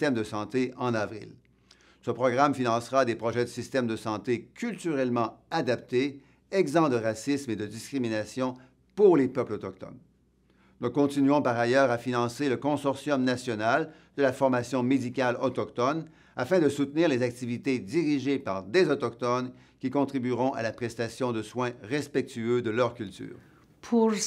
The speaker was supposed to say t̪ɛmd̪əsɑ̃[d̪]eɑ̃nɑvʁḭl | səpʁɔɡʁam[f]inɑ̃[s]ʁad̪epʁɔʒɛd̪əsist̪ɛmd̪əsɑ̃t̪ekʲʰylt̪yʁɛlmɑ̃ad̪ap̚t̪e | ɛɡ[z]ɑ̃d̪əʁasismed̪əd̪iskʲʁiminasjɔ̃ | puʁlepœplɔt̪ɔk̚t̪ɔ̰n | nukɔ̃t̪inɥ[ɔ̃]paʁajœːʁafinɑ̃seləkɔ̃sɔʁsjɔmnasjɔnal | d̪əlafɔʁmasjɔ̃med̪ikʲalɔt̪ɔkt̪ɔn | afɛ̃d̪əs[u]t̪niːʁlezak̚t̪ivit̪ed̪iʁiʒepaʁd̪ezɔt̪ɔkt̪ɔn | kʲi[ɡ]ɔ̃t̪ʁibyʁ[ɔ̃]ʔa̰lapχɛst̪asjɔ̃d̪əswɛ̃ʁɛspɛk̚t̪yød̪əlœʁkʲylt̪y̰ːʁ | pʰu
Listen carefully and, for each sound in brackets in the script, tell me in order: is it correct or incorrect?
incorrect: t̪, correct, correct, correct, correct, correct, incorrect: k, correct

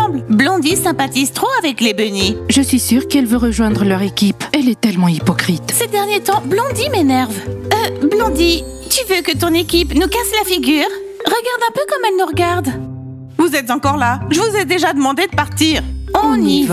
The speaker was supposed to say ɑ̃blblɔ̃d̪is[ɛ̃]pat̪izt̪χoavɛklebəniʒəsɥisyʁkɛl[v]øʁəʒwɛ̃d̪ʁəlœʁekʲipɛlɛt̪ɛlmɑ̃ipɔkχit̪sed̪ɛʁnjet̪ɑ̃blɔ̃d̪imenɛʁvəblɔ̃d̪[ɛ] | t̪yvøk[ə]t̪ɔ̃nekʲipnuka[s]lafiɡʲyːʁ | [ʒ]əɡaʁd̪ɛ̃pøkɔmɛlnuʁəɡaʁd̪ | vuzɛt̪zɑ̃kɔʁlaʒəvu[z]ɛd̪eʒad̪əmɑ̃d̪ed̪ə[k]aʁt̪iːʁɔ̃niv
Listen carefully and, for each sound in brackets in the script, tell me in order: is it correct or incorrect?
correct, correct, incorrect: i, correct, correct, incorrect: ʁ, correct, incorrect: p

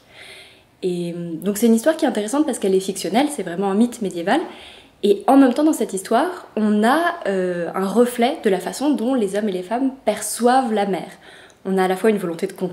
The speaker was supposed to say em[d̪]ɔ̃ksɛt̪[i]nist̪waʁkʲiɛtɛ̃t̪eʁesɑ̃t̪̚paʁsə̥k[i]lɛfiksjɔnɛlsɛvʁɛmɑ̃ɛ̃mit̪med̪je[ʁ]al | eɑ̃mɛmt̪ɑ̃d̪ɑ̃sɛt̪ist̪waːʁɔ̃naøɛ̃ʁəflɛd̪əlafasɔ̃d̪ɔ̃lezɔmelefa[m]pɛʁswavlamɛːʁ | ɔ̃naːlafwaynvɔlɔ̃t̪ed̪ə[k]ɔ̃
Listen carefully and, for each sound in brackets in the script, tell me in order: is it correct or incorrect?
correct, incorrect: y, incorrect: ɛ, incorrect: v, correct, correct

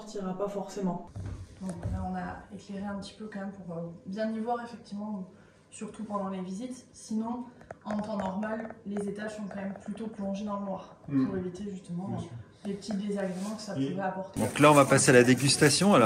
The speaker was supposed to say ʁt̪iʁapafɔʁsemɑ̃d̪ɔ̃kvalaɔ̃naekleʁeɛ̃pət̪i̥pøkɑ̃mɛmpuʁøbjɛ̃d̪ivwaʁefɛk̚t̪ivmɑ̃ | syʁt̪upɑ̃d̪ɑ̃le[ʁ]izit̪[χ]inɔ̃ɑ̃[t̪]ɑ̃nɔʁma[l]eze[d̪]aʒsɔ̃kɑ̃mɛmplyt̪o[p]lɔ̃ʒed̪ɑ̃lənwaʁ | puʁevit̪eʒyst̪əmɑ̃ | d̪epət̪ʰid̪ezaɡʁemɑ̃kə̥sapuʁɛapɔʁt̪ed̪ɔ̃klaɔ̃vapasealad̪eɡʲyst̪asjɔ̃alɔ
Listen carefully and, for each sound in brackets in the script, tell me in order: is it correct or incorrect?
incorrect: v, incorrect: s, correct, incorrect: lː, incorrect: t̪, correct

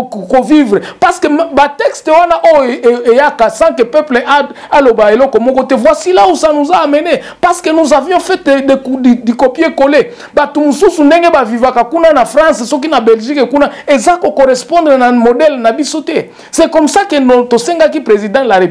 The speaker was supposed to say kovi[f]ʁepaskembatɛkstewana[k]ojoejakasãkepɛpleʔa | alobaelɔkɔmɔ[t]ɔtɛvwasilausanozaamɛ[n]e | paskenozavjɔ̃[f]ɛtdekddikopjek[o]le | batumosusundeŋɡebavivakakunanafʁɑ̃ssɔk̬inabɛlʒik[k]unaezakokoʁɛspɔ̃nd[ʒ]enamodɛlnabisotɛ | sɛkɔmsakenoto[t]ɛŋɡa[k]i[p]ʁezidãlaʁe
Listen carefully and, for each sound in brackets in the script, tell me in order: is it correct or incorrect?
incorrect: v, incorrect: ʔ, incorrect: k, correct, correct, correct, correct, incorrect: ʁ, incorrect: s, correct, correct

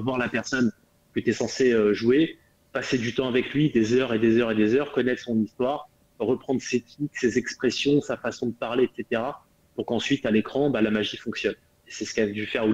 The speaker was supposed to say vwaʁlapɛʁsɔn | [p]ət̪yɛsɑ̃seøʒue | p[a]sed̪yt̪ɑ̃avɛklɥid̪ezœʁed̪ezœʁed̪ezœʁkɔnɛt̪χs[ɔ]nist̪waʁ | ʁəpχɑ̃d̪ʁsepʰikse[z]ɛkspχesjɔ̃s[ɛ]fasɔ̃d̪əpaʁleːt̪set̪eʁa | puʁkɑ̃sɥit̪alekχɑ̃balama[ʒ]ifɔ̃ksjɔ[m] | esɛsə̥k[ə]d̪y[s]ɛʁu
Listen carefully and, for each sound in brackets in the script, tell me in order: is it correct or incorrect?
incorrect: k, correct, incorrect: ɔ̃, correct, incorrect: a, correct, incorrect: n, incorrect: a, incorrect: f

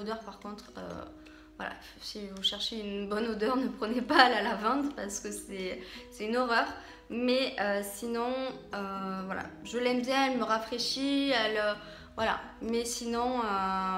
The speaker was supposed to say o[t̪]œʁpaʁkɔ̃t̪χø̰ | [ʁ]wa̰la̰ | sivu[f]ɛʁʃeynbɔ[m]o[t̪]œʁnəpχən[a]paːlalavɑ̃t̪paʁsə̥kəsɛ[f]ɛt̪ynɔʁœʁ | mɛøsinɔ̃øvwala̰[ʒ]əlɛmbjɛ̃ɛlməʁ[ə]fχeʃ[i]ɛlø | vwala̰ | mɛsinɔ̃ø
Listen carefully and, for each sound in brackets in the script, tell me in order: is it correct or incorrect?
incorrect: d̪, incorrect: v, incorrect: ʃ, incorrect: n, incorrect: d̪, incorrect: e, incorrect: s, correct, incorrect: a, correct

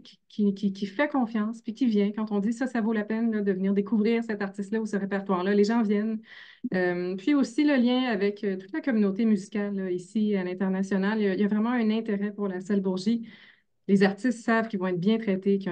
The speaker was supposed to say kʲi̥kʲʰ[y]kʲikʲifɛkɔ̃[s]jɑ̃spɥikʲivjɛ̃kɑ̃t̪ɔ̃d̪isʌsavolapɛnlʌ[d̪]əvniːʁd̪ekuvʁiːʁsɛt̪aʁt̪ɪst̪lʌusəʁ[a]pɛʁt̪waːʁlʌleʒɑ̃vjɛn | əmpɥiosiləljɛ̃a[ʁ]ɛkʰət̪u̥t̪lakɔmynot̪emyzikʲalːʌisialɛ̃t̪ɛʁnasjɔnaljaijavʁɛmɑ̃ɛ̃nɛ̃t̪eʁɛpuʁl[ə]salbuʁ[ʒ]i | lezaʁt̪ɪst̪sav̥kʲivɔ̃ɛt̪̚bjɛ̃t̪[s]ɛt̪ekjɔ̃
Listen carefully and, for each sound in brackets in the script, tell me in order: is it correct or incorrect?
incorrect: i, incorrect: f, correct, incorrect: e, incorrect: v, incorrect: a, correct, incorrect: χ

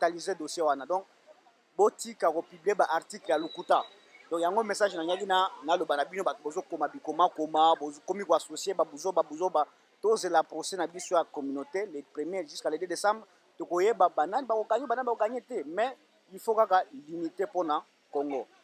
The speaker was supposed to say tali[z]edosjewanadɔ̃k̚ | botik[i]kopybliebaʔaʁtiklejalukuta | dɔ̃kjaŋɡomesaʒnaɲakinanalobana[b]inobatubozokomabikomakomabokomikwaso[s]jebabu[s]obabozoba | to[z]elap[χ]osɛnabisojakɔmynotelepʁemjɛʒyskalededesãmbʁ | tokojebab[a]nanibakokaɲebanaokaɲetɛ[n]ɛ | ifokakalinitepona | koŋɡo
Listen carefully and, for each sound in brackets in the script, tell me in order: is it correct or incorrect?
correct, incorrect: a, correct, correct, incorrect: z, correct, incorrect: ʁ, correct, incorrect: m

